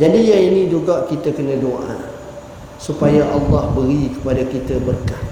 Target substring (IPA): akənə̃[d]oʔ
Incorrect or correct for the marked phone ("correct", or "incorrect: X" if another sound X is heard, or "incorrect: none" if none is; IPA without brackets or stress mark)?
correct